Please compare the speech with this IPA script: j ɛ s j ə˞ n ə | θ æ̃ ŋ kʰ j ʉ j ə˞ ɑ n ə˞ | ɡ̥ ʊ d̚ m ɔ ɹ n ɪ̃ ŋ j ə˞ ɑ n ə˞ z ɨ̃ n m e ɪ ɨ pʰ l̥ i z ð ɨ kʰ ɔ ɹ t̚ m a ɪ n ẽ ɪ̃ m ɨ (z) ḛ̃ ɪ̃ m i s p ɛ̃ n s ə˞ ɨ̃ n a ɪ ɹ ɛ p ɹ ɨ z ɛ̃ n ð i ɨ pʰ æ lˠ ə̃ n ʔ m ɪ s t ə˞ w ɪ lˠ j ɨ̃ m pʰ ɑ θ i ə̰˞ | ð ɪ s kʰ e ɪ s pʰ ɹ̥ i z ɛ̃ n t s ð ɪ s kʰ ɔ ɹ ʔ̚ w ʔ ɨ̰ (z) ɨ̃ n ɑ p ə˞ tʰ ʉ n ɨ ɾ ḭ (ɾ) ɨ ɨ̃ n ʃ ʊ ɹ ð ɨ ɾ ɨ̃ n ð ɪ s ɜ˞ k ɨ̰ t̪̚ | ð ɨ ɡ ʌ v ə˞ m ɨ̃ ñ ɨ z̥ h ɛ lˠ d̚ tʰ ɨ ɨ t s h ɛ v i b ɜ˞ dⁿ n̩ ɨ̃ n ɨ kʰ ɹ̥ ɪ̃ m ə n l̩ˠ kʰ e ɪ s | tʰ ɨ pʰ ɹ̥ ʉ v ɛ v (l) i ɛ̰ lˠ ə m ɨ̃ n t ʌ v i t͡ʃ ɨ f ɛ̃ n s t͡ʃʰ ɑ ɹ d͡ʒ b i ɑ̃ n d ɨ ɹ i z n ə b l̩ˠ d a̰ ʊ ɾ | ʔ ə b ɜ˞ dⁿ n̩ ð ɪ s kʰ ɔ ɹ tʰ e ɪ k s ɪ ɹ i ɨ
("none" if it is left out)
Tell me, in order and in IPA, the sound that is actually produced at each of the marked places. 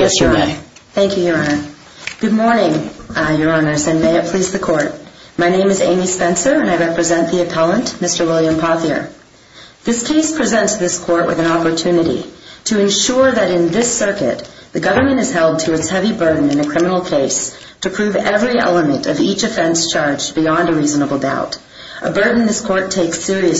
z, ð, ɾ, ɹ

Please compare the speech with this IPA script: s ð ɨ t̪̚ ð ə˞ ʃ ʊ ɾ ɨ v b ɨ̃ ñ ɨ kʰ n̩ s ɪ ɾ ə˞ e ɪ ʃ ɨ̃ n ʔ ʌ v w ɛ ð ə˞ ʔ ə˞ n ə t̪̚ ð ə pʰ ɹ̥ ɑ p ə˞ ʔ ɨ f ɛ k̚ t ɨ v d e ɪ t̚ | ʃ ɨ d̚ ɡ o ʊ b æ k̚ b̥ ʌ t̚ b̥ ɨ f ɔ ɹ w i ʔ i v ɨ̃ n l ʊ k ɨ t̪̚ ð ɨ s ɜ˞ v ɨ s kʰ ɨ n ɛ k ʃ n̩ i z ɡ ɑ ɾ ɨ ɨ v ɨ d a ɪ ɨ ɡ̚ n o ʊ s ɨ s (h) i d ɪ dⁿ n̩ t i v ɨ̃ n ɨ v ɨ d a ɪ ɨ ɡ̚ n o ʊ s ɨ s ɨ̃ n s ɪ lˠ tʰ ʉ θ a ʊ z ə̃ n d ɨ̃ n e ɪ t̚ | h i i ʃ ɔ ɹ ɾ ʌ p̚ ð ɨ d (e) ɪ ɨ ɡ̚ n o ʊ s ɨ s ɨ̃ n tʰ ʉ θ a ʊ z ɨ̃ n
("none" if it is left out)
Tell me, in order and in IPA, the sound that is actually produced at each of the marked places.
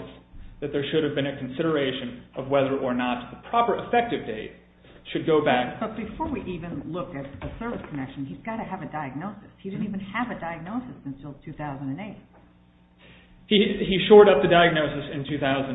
h, a

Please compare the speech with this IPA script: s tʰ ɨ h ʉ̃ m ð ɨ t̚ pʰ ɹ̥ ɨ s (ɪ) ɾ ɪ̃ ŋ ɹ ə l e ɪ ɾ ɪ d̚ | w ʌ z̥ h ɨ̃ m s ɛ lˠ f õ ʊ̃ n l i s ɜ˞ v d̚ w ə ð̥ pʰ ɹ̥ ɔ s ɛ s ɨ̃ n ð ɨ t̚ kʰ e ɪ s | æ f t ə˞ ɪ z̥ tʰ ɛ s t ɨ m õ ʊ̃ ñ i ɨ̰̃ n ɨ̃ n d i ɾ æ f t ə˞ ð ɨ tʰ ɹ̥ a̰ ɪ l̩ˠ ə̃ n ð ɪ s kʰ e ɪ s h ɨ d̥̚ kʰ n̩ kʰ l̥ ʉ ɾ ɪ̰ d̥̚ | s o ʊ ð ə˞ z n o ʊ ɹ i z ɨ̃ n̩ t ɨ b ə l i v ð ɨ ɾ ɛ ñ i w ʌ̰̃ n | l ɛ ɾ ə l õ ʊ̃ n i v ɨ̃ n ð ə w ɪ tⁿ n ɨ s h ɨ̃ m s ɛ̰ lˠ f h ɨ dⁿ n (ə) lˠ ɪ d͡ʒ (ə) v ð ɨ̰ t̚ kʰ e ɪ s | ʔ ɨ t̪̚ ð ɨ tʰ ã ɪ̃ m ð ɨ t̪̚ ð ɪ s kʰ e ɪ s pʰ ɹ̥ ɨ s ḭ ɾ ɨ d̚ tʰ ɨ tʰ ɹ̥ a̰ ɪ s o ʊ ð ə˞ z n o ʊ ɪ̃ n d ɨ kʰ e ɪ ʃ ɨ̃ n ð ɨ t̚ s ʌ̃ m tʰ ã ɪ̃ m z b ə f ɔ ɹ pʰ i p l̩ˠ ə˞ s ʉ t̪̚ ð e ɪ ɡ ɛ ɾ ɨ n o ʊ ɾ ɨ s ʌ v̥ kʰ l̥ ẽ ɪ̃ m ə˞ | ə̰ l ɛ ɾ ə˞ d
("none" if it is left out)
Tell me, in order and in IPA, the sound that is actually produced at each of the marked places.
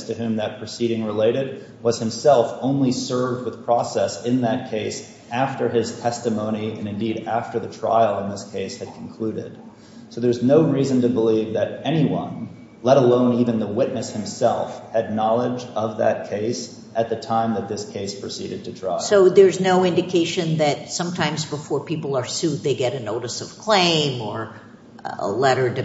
i, ɑ, ʌ

